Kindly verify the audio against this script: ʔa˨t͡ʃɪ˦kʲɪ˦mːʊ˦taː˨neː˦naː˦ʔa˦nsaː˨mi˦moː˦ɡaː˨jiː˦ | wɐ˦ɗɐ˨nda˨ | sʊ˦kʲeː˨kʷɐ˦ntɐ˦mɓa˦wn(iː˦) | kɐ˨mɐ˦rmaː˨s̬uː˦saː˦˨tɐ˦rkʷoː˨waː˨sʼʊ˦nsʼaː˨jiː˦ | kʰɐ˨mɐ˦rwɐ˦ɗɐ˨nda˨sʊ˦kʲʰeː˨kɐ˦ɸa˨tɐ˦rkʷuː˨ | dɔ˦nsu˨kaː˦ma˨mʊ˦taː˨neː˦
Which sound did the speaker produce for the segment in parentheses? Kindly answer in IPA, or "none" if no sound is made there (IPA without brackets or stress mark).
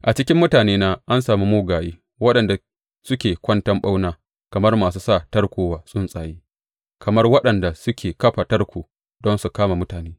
aː˦